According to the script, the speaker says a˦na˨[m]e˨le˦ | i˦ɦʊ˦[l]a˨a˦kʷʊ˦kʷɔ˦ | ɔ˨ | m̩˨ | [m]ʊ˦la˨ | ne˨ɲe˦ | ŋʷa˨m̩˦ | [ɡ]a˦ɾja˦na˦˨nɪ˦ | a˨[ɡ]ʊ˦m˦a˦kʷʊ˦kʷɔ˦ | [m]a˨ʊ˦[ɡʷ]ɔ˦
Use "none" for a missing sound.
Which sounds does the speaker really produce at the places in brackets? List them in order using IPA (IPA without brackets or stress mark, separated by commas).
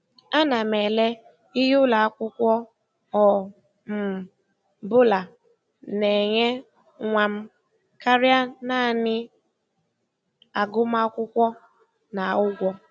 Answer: m, l, b, k, ɡ, n, ɡʷ